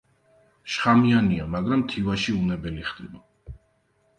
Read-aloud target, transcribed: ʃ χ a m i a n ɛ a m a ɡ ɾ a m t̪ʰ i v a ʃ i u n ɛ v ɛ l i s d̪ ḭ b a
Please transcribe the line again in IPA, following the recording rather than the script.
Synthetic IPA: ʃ χ a m i a n i a m a ɡ ɾ a m t̪ʰ i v a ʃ i u n ɛ b ɛ l i χ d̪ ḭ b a

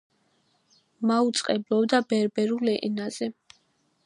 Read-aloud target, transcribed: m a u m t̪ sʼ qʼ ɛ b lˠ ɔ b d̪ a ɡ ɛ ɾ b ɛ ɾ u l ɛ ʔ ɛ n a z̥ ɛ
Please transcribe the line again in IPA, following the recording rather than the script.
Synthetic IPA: m a u t̪ sʼ qʼ ɛ b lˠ ɔ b d̪ a b ɛ ɾ b ɛ ɾ u l ɛ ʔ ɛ n a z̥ ɛ

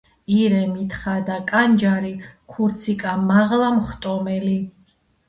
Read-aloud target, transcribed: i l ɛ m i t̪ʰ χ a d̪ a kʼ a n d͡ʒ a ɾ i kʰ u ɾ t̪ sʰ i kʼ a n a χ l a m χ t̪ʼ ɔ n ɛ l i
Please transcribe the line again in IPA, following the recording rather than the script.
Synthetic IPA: i ɾ ɛ m i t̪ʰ χ a d̪ a kʼ a n d͡ʒ a ɾ i kʰ u ɾ t̪ sʰ i kʼ a m a ʁ l a m χ t̪ʼ ɔ m ɛ l i

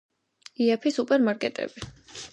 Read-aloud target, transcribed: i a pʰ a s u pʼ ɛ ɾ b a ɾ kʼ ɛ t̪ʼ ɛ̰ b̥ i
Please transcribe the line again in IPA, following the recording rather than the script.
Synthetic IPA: i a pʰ i s u pʼ ɛ ɾ m a ɾ kʼ ɛ t̪ʼ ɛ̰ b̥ i

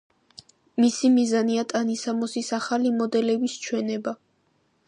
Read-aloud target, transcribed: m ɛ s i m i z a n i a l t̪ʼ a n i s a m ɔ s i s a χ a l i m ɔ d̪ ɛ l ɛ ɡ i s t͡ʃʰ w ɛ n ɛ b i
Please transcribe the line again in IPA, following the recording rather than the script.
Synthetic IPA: m i s i m i z a n i a t̪ʼ a n i s a m ɔ s i s a χ a l i m ɔ d̪ ɛ l ɛ b i s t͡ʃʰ w ɛ n ɛ b a

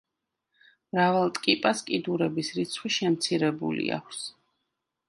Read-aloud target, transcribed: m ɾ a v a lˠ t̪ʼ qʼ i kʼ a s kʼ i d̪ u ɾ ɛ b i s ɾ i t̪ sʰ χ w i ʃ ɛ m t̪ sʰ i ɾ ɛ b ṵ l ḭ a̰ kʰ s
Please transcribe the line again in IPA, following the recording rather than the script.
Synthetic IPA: m ɾ a v a lˠ t̪ʼ kʼ i pʼ a s kʼ i d̪ u ɾ ɛ b i s ɾ i t̪ sʰ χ w i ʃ ɛ m t̪ sʰ i ɾ ɛ b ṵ l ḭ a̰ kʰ s

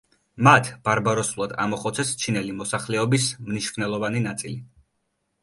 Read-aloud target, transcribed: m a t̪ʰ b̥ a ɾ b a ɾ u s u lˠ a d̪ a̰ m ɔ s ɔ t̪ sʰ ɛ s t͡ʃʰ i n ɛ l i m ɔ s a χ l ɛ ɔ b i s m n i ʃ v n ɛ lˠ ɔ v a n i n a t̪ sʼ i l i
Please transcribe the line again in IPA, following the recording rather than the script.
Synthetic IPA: m a t̪ʰ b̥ a ɾ b a ɾ ɔ s u lˠ a d̪ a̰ m ɔ χ ɔ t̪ sʰ ɛ s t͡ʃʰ i n ɛ l i m ɔ s a χ l ɛ ɔ b i s m n i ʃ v n ɛ lˠ ɔ v a n i n a t̪ sʼ i l i

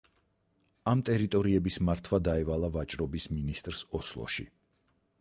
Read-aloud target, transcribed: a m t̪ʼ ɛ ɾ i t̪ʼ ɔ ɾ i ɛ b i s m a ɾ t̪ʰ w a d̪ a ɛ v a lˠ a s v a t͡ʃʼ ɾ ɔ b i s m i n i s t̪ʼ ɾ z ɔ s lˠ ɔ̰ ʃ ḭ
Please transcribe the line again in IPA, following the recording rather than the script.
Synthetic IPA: a m t̪ʼ ɛ ɾ i t̪ʼ ɔ ɾ i ɛ b i s m a ɾ t̪ʰ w a d̪ a ɛ v a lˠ a v a t͡ʃʼ ɾ ɔ b i s m i n i s t̪ʼ ɾ s ɔ s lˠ ɔ̰ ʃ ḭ

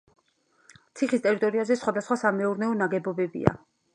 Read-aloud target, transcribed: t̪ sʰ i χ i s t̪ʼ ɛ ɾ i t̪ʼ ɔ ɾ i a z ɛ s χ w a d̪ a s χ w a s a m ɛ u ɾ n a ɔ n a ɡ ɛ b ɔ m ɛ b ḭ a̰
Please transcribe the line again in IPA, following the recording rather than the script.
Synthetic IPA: t̪ sʰ i χ i s t̪ʼ ɛ ɾ i t̪ʼ ɔ ɾ i a z ɛ s χ w a d̪ a s χ w a s a m ɛ u ɾ n ɛ ɔ n a ɡ ɛ b ɔ b ɛ b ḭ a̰

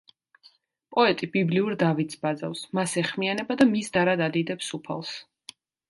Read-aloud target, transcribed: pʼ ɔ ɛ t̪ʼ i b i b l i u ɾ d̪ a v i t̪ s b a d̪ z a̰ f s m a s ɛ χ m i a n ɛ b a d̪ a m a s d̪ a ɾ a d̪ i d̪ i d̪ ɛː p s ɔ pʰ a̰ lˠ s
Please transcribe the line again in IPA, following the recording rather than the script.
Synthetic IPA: pʼ ɔ ɛ t̪ʼ i b i b l i u ɾ d̪ a v i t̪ s b a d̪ z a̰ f s m a s ɛ χ m i a n ɛ b a d̪ a m i s d̪ a ɾ a d̪ a d̪ i d̪ ɛ p s u pʰ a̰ lˠ s

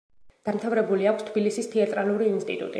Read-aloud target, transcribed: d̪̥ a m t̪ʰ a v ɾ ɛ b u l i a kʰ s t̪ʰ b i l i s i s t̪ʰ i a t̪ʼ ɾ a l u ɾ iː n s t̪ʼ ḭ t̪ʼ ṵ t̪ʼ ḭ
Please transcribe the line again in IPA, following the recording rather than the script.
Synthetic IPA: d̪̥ a m t̪ʰ a v ɾ ɛ b u l i a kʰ s t̪ʰ b i l i s i s t̪ʰ i a t̪ʼ ɾ a l u ɾ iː n s t̪ʼ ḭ t̪ʼ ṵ t̪ʼ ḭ

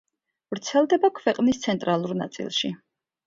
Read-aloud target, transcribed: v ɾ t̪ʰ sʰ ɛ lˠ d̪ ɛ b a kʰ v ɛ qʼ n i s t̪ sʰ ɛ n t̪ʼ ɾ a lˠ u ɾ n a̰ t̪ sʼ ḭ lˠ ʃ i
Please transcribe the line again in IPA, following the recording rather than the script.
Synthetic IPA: v ɾ t̪ sʰ ɛ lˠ d̪ ɛ b a kʰ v ɛ qʼ n i s t̪ sʰ ɛ n t̪ʼ ɾ a lˠ u ɾ n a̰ t̪ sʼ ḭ lˠ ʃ i

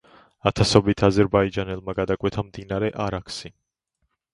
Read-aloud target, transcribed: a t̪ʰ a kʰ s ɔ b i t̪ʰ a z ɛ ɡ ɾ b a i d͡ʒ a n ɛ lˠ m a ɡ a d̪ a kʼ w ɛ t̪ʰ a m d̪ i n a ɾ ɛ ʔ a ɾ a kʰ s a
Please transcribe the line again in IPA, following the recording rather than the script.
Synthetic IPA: a t̪ʰ a s ɔ b i t̪ʰ a z ɛ ɾ b a i d͡ʒ a n ɛ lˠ m a ɡ a d̪ a kʼ w ɛ t̪ʰ a m d̪ i n a ɾ ɛ ʔ a ɾ a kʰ s i

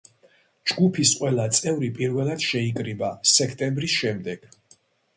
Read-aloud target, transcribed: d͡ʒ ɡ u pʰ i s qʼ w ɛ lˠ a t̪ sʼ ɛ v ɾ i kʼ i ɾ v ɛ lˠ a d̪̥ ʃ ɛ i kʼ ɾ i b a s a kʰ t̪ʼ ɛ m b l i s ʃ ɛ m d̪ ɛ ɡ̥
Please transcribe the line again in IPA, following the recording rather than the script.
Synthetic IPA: d͡ʒ ɡ u pʰ i s qʼ w ɛ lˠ a t̪ sʼ ɛ v ɾ i pʼ i ɾ v ɛ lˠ a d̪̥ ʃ ɛ i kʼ ɾ i b a s ɛ kʰ t̪ʼ ɛ m b ɾ i s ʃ ɛ m d̪ ɛ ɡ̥

